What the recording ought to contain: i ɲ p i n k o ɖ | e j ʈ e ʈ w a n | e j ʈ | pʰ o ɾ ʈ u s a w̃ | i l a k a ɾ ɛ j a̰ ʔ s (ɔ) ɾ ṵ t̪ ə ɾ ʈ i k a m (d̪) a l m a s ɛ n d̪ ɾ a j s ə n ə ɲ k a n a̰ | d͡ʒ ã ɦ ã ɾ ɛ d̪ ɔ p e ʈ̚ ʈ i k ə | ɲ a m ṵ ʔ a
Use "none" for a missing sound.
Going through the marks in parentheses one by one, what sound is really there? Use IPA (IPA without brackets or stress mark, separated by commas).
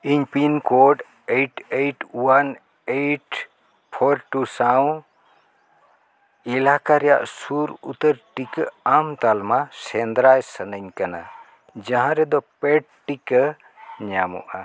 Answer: u, t̪